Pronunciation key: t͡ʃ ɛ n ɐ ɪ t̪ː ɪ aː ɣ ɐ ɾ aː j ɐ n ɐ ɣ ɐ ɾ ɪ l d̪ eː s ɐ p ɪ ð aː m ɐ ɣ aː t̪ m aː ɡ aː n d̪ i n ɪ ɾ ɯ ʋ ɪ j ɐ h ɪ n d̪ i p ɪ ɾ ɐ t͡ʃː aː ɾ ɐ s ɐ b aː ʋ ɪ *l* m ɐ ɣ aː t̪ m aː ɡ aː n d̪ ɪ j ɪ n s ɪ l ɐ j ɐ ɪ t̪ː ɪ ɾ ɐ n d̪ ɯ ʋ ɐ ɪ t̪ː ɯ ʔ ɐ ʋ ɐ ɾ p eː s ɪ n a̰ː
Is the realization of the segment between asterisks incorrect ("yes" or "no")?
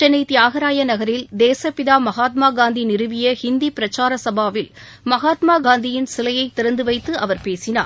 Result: no